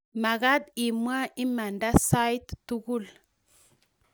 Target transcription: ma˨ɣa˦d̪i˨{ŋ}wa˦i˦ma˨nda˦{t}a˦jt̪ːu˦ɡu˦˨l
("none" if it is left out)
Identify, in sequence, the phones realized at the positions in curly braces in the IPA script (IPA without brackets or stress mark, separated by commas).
m, s